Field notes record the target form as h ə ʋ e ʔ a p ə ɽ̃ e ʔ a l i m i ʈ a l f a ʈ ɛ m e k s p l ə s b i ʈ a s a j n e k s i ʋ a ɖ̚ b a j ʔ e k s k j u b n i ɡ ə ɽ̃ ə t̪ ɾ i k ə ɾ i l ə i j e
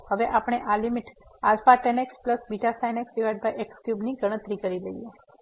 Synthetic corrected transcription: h ə ʋ e ʔ a p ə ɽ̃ e ʔ a l i m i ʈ a l f a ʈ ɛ n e k s p l ə s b i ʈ a s a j n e k s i ʋ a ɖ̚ b a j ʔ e k s k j u b n i ɡ ə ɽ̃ ə t̪ ɾ i k ə ɾ i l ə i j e